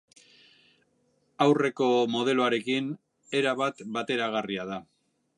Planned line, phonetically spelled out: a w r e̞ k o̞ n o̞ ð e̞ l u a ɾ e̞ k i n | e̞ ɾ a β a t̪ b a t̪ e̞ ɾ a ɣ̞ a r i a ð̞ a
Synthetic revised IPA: a w r e̞ k o̞ m o̞ ð e̞ l o a ɾ e̞ k i n | e̞ ɾ a β a t̪ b a t̪ e̞ ɾ a ɣ̞ a r i a ð̞ a